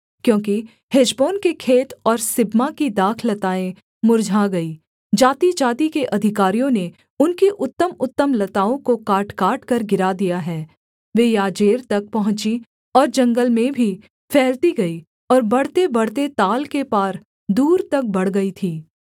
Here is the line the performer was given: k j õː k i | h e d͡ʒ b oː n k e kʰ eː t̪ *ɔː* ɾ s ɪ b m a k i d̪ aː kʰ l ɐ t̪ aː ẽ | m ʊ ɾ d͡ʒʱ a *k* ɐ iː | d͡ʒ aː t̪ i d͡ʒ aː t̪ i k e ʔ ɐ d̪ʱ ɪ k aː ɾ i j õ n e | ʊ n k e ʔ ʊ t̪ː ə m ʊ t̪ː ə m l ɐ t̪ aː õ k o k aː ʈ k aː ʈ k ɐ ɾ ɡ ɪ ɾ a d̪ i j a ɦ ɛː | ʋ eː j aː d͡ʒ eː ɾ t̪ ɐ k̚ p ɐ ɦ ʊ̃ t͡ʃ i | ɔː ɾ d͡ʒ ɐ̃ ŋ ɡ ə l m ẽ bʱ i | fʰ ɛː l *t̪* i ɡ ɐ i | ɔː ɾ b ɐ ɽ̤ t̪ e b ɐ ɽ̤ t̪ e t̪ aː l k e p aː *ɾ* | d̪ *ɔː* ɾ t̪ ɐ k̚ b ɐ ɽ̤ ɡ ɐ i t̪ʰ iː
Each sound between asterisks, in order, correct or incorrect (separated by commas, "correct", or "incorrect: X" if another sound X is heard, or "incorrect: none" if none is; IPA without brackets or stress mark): correct, incorrect: ɡ, correct, correct, incorrect: uː